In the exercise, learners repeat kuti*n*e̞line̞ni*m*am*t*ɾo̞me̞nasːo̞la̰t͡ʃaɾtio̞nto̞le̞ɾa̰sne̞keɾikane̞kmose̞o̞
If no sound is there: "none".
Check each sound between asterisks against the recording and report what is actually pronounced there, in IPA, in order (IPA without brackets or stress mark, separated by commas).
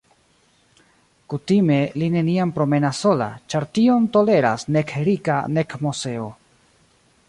m, none, p